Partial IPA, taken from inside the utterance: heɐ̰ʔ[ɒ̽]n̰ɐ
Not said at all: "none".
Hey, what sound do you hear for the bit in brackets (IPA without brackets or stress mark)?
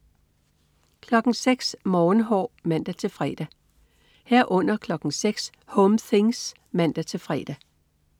ɔ̽